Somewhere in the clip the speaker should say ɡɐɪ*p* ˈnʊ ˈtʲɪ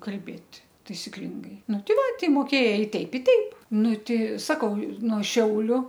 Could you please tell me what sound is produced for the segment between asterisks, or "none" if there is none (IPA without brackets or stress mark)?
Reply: none